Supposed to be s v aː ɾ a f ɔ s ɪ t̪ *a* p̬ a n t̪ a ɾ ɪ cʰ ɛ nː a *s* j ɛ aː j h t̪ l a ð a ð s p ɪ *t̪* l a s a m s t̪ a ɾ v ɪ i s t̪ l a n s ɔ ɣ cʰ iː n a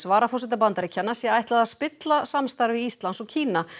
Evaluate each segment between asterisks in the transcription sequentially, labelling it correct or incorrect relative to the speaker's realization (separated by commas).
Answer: correct, correct, correct